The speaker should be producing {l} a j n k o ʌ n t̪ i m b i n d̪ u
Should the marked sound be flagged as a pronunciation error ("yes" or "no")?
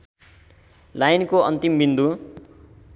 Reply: no